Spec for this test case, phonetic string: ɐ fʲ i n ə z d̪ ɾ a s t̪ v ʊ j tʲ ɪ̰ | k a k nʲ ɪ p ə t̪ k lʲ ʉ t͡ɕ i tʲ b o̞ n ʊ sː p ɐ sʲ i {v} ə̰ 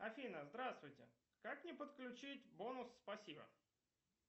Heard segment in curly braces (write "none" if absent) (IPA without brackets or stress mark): b